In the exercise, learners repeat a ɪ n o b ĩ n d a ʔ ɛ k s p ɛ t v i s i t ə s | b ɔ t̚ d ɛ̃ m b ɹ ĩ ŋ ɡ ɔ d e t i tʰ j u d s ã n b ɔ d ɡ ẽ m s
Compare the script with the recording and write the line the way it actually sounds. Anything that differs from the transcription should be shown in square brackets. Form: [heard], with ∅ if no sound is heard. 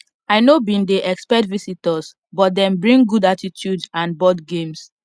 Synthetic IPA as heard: a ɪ n o b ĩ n d [e] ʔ ɛ k s p ɛ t v i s i t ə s | b ɔ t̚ d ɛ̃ m b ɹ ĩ ŋ ɡ [u] d [a] t i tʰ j u d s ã n b ɔ d ɡ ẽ m s